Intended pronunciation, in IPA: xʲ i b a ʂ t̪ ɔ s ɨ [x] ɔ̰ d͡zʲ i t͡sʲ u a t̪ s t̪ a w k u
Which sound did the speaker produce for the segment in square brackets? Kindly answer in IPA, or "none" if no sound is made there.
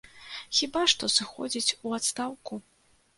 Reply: x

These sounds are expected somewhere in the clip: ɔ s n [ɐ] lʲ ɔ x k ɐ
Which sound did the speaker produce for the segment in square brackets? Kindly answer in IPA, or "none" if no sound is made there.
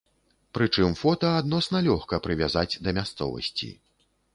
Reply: ɐ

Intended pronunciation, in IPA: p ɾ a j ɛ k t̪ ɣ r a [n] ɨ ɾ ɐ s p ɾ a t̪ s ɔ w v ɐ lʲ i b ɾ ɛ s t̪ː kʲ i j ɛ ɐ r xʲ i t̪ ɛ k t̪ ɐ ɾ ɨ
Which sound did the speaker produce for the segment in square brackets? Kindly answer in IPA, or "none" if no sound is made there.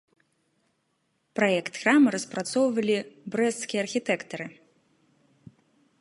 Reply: m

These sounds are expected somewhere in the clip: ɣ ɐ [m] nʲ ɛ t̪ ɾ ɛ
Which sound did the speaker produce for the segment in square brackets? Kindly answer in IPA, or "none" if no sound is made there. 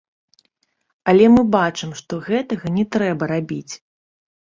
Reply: none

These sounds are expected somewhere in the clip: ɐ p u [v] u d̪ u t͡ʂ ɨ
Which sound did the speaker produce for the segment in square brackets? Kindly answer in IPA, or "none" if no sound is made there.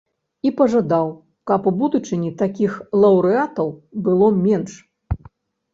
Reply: b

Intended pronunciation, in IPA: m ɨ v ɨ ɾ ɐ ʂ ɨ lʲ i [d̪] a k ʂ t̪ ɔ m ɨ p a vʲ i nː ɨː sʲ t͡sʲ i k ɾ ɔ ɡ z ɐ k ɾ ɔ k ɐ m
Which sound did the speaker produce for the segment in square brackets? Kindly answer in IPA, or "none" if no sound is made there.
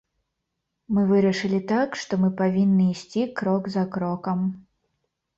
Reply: t̪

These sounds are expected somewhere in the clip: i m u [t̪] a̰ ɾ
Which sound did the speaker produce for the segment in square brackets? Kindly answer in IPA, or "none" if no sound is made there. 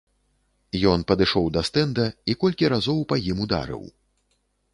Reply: d̪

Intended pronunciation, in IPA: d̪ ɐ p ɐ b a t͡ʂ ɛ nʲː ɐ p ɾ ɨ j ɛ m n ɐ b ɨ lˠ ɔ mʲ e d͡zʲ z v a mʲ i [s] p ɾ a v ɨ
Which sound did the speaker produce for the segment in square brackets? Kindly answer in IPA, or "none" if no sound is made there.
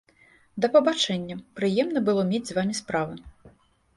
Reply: s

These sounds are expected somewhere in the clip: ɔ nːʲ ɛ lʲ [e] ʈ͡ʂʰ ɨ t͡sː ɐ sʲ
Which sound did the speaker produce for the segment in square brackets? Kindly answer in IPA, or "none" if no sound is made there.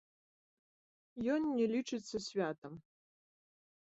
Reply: i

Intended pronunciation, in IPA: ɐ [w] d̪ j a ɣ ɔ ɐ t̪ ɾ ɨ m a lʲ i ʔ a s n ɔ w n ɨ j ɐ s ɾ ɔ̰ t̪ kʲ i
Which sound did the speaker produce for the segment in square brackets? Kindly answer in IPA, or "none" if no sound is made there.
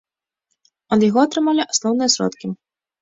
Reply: none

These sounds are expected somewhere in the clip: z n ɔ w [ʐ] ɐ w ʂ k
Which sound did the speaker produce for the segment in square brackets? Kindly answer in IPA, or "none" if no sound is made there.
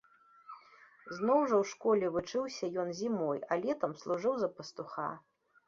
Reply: ʐ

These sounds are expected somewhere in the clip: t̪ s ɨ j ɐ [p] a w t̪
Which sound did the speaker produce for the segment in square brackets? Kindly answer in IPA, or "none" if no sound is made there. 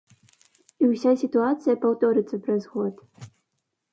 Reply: p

